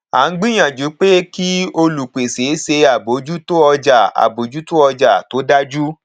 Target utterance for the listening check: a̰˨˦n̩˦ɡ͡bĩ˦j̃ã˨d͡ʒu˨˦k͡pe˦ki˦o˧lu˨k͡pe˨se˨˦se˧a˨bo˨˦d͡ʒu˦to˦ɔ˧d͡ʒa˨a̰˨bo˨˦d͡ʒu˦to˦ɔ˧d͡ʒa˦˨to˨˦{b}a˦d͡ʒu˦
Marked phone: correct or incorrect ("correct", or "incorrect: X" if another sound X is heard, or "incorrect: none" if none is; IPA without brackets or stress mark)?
incorrect: d